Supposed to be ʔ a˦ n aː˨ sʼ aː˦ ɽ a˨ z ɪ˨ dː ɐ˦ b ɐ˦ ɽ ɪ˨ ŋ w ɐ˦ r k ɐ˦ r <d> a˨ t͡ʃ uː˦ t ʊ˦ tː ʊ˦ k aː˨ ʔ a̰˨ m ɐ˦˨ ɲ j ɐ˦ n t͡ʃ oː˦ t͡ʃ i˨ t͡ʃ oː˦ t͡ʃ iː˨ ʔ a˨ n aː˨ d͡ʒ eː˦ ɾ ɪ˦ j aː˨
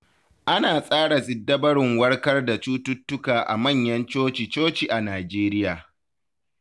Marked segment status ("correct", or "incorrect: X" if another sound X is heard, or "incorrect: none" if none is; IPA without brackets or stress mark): correct